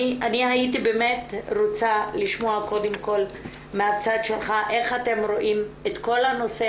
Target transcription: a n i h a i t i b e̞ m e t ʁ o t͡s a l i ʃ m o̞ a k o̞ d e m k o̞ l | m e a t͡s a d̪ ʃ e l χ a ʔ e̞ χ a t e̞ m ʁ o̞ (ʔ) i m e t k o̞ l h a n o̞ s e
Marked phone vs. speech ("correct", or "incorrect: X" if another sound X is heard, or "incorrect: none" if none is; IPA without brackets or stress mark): correct